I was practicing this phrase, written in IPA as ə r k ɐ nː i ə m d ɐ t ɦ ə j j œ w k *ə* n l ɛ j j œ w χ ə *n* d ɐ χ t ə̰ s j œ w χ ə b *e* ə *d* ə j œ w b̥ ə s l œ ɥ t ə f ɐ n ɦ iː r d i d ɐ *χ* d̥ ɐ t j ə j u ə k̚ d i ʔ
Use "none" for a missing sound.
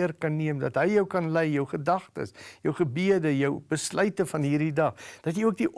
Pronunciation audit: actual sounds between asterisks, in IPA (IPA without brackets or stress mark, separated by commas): ɐ, none, i, d, χ